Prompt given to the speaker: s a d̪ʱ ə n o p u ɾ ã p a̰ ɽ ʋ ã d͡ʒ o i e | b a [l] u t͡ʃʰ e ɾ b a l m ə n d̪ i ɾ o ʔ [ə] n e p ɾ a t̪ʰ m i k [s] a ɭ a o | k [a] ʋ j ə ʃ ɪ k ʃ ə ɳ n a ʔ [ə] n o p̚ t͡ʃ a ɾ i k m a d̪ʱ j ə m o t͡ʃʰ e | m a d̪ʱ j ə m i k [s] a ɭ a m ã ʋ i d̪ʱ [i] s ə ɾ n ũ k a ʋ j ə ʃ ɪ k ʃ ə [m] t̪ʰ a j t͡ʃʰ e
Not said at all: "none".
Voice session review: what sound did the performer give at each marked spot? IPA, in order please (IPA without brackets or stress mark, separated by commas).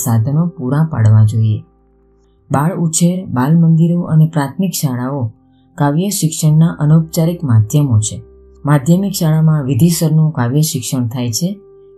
ɭ, ə, ʃ, a, ə, ʃ, i, ɳ